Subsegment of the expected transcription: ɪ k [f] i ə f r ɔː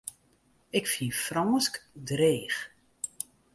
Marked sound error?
no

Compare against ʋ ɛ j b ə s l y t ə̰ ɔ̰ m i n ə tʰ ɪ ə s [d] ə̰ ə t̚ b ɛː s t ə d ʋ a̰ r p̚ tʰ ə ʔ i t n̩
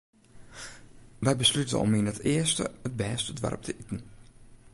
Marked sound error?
yes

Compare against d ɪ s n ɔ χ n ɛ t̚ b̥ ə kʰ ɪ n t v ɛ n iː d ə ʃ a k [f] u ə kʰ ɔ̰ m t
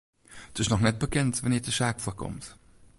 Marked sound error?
no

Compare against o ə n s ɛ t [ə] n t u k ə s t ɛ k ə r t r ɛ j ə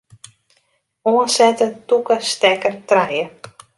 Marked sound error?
no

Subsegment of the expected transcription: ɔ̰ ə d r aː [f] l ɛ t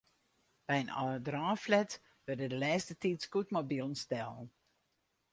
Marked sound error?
no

